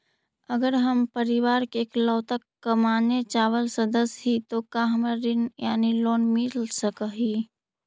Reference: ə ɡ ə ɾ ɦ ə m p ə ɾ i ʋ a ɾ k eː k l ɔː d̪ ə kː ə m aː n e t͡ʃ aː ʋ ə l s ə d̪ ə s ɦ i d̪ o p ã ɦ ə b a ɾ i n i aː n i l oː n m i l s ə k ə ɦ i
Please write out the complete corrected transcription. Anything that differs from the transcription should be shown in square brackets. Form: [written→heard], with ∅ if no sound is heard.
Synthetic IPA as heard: ə ɡ ə ɾ ɦ ə m p ə ɾ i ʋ a ɾ k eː k l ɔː [d̪→t̪] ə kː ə m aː n e t͡ʃ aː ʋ ə l s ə d̪ ə s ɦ i [d̪→t̪] o [p→k] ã ɦ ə [b→m] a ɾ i n [i→j] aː n i l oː n m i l s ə k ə ɦ i